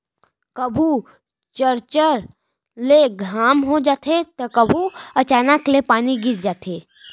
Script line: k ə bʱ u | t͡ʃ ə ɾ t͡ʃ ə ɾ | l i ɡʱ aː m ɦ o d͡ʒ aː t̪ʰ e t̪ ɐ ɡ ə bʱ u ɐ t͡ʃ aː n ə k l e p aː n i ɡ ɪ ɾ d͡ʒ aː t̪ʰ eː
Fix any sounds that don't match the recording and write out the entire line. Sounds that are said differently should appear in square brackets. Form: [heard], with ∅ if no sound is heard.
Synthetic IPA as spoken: k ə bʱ u | t͡ʃ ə ɾ t͡ʃ ə ɾ | l [e] ɡʱ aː m ɦ o d͡ʒ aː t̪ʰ e t̪ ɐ [k] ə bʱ u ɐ t͡ʃ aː n ə k l e p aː n i ɡ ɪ ɾ d͡ʒ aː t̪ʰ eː